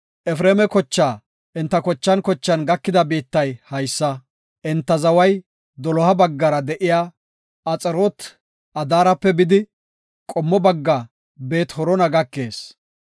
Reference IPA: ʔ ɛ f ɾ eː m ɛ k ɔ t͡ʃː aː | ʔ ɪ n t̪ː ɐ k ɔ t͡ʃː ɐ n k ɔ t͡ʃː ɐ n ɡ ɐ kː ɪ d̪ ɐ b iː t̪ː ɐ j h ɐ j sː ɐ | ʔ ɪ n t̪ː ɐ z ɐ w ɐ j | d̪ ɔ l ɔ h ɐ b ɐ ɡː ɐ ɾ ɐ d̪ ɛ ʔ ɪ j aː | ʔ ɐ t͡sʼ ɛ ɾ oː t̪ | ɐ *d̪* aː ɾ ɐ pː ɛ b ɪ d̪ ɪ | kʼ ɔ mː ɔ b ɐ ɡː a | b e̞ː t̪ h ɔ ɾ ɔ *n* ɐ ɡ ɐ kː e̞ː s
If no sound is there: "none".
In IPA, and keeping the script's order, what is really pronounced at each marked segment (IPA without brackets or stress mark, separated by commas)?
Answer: d̪, n